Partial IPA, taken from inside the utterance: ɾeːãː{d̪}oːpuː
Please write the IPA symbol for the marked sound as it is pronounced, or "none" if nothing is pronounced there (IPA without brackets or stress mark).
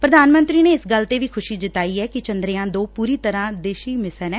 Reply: d̪